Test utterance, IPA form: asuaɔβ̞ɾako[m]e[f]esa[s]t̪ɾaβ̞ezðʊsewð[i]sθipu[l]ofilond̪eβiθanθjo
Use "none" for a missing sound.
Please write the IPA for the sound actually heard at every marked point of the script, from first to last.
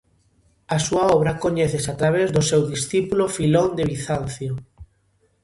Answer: ɲ, θ, none, i, l

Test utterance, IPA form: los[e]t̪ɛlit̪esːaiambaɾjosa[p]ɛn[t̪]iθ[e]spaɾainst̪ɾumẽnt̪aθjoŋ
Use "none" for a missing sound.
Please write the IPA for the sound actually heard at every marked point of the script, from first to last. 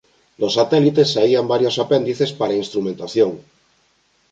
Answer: a, p, d̪, e

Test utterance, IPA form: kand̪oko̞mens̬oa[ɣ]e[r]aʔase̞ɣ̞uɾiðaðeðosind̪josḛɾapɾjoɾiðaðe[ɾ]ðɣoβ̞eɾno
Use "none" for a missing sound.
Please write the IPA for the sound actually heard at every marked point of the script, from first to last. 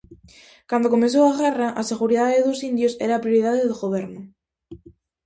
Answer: ɣ, r, none

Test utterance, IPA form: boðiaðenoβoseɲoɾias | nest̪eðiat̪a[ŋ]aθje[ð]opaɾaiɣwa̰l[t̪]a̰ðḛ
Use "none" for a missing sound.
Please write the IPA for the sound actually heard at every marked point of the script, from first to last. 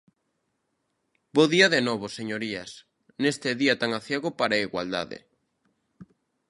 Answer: ŋ, ɣ, d̪

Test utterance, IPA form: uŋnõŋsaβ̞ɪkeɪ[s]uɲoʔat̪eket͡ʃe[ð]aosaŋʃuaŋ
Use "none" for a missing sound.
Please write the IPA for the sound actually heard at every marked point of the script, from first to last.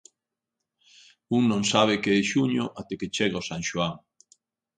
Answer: ʃ, ɣ

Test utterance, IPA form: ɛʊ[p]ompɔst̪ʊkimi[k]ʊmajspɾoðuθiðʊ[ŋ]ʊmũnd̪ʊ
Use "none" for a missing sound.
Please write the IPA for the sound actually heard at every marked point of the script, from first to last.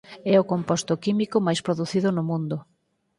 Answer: k, k, n

